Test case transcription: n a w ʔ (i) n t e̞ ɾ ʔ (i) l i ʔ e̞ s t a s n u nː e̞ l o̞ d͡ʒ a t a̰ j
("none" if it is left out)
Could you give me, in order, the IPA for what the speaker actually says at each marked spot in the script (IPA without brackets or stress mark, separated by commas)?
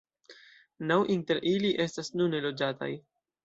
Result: i, i